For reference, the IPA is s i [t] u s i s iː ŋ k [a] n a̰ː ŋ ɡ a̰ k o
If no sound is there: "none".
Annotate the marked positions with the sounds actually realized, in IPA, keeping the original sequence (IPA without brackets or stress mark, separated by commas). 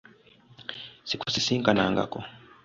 k, a